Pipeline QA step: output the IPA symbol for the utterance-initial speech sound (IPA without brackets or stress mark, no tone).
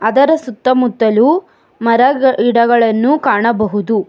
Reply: ɐ